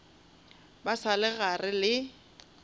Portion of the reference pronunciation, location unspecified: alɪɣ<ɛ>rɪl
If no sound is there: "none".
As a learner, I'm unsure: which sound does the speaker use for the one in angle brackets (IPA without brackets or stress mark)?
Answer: a